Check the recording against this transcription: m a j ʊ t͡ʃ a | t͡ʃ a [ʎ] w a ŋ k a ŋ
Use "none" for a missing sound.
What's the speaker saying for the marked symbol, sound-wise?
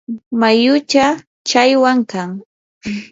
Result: j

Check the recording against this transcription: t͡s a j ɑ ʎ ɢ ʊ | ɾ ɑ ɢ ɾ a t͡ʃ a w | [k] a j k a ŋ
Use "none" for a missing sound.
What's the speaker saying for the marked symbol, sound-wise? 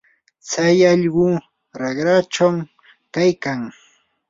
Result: k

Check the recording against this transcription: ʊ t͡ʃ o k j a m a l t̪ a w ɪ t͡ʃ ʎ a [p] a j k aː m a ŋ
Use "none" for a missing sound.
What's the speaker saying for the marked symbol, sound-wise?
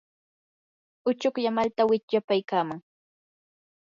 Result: p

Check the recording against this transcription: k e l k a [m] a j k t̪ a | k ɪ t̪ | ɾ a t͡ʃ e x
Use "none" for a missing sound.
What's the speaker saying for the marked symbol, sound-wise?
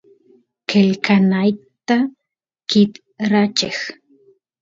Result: n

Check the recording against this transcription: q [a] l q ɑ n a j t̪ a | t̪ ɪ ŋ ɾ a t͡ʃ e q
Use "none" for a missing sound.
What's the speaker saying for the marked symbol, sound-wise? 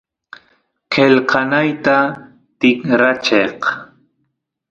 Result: e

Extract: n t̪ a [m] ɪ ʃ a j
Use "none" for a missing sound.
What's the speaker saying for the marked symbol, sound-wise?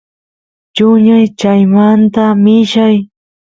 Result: m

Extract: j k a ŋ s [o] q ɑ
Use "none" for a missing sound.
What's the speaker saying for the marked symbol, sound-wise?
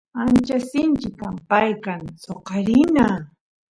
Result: o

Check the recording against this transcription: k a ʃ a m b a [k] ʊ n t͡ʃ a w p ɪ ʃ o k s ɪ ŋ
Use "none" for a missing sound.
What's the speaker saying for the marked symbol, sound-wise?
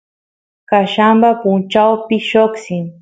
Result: p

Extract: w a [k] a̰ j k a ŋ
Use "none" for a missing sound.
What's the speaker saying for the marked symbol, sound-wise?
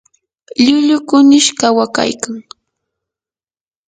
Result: k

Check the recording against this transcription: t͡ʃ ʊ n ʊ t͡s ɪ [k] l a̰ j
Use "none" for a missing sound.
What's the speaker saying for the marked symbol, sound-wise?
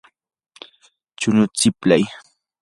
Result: p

